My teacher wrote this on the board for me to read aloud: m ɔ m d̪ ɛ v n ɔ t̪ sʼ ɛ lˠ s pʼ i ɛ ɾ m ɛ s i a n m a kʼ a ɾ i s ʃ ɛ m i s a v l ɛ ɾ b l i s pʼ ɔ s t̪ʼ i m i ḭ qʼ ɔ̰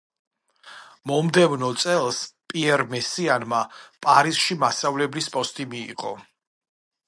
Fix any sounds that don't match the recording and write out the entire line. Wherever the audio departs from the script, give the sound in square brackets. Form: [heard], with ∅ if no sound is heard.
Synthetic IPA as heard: m ɔ m d̪ ɛ v n ɔ t̪ sʼ ɛ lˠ s pʼ i ɛ ɾ m ɛ s i a n m a [pʼ] a ɾ i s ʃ [i] m [a] s a v l ɛ [∅] b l i s pʼ ɔ s t̪ʼ i m i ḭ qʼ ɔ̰